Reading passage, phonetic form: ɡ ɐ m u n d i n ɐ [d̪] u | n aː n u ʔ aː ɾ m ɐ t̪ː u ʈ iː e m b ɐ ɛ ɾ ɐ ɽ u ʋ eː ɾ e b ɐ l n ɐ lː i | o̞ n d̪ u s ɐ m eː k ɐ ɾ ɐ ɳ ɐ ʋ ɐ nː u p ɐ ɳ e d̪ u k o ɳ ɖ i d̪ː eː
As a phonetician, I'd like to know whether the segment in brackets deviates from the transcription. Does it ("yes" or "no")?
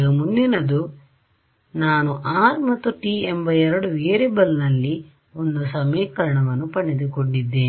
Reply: no